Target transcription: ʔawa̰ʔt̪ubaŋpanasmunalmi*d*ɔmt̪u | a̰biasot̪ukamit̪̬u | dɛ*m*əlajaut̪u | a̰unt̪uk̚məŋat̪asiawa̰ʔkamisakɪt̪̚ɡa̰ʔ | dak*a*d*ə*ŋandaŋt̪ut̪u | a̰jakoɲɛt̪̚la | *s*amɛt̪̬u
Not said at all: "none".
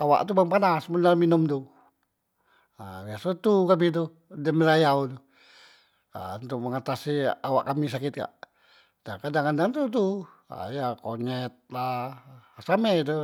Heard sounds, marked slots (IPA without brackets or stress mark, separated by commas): n, m, a, a, s